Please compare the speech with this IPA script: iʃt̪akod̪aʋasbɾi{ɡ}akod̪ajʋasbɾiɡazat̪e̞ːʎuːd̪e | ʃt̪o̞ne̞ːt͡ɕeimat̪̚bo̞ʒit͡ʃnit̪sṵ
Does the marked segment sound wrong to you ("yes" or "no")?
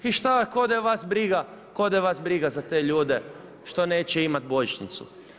no